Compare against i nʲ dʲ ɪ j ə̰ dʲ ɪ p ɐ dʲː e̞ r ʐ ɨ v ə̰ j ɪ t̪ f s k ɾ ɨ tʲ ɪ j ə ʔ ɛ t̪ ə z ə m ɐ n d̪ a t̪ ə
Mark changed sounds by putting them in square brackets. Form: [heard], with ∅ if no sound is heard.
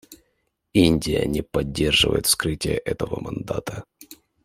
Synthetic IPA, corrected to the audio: i nʲ dʲ ɪ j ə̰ [nʲ] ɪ p ɐ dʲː e̞ r ʐ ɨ v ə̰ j ɪ t̪ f s k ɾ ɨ tʲ ɪ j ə ʔ ɛ t̪ ə [v] ə m ɐ n d̪ a t̪ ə